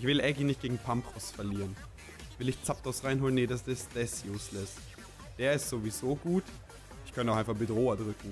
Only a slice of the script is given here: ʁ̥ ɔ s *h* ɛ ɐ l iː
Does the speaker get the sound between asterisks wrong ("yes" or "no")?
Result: yes